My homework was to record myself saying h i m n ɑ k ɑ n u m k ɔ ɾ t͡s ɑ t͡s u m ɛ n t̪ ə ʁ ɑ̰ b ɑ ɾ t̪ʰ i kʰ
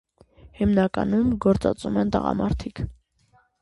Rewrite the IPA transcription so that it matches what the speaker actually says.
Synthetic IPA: h i m n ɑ k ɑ n u m ɡ ɔ ɾ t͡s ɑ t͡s u m ɛ n t̪ ə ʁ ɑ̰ m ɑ ɾ t̪ʰ i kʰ